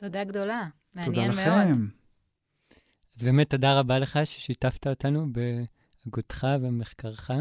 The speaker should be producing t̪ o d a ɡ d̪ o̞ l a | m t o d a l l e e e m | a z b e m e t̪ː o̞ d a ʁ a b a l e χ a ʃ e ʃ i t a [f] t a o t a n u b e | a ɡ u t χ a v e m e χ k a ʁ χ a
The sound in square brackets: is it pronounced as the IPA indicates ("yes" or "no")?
yes